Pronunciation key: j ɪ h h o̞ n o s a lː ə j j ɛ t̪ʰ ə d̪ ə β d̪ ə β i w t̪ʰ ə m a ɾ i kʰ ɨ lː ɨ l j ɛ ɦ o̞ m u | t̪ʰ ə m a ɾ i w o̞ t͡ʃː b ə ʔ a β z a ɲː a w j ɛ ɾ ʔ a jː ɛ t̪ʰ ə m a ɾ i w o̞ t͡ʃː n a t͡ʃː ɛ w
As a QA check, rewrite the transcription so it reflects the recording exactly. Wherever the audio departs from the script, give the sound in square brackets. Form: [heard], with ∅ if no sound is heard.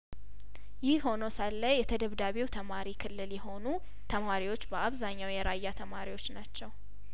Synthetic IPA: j ɪ h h o̞ n o s a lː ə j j ɛ t̪ʰ ə d̪ ə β d̪ [a] β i w t̪ʰ ə m a ɾ i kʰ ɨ lː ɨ l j ɛ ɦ o̞ [n] u | t̪ʰ ə m a ɾ i w o̞ t͡ʃː b ə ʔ a β z a ɲː a w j ɛ ɾ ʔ a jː [a] t̪ʰ ə m a ɾ i w o̞ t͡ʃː n a t͡ʃː ɛ w